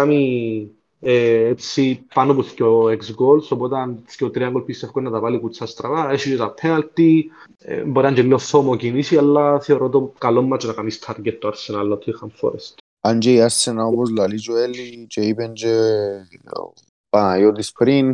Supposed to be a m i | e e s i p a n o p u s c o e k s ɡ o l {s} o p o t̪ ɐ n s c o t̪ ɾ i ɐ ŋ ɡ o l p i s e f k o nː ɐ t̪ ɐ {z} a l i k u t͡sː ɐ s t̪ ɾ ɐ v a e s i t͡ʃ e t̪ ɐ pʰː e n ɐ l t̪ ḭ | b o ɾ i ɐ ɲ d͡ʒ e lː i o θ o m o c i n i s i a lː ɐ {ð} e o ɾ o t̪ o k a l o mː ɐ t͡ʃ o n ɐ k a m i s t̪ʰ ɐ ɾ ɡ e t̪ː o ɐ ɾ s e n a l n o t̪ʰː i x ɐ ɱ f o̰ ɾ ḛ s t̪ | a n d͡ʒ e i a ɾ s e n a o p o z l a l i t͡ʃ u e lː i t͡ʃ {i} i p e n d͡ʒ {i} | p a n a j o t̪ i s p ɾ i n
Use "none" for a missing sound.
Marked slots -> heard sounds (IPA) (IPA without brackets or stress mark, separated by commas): s, v, θ, e, e